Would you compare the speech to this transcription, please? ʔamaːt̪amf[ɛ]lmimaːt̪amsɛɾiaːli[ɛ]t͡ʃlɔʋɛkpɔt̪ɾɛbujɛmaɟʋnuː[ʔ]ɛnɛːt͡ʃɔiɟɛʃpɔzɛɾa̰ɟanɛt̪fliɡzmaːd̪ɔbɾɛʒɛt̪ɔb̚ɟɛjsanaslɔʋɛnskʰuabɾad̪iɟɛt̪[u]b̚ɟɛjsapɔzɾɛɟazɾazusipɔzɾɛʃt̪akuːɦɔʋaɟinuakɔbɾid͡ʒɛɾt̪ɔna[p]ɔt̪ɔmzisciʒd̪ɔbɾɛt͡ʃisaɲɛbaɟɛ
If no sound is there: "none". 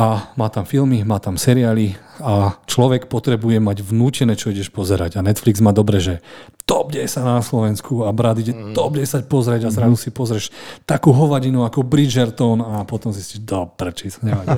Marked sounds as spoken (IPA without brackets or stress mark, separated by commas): i, a, c, ɔ, p